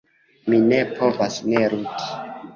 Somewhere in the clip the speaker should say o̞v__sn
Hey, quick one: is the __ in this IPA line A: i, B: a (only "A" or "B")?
B